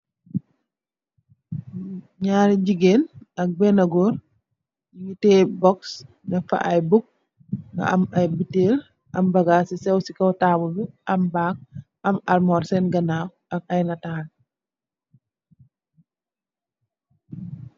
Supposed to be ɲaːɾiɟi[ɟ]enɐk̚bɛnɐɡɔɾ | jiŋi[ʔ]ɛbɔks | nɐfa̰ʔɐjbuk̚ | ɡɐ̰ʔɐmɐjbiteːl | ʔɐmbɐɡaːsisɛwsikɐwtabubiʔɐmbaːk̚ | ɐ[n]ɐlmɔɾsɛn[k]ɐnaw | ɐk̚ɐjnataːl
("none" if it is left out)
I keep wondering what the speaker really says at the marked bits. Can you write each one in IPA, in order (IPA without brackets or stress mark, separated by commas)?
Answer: ɡ, t, m, ɡ